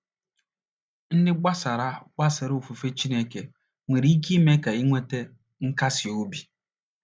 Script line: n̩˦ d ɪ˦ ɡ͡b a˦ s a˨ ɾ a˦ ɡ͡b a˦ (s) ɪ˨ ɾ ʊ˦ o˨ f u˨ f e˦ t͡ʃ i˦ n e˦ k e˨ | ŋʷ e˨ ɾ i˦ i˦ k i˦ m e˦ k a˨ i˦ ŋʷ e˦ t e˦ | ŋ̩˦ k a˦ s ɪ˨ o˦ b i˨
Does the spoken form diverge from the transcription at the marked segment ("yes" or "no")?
no